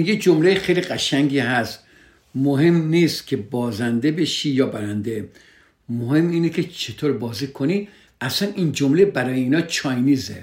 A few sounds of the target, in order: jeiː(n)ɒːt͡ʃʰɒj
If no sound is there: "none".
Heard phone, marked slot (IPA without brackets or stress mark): n